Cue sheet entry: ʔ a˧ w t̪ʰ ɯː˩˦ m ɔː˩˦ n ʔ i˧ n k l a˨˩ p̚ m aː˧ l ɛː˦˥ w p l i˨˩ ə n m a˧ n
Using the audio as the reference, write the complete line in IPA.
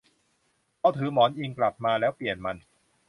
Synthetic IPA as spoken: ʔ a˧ w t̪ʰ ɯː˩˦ m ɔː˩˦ n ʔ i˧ ŋ k l a˨˩ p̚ m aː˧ l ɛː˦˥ w p l i˨˩ ə n m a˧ n